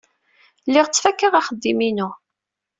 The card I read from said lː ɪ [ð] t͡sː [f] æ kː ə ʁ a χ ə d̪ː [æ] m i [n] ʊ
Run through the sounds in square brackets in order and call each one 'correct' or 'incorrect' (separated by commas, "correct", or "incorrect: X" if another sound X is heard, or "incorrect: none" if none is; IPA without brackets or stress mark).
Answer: incorrect: ʁ, correct, incorrect: i, correct